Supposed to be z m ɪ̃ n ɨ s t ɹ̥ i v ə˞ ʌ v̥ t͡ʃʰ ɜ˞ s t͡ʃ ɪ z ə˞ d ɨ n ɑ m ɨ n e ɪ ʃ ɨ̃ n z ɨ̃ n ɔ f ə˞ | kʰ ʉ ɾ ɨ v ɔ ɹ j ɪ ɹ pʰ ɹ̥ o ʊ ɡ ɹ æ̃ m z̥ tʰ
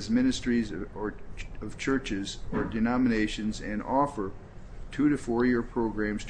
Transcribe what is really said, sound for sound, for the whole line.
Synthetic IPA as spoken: z m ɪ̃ n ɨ s t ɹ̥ i z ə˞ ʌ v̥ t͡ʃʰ ɜ˞ t͡ʃ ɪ z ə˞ d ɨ n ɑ m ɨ n e ɪ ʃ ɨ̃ n z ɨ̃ n ɔ f ə˞ | tʰ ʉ ɾ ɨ f ɔ ɹ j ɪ ɹ pʰ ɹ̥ o ʊ ɡ ɹ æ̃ m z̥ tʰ